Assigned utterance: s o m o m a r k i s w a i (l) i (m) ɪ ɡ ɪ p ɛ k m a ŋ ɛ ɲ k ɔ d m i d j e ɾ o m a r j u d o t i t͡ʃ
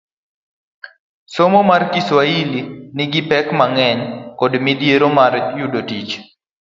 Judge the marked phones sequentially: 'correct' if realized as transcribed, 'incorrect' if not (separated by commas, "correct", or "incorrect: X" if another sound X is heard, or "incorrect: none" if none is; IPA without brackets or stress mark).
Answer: correct, incorrect: n